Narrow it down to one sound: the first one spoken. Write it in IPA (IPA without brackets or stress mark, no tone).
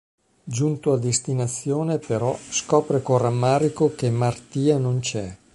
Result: d͡ʒ